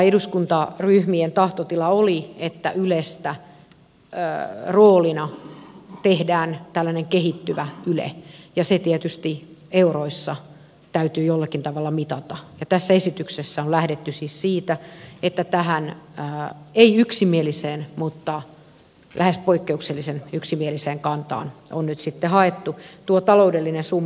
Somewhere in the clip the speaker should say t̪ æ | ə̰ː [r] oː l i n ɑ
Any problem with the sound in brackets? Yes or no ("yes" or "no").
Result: no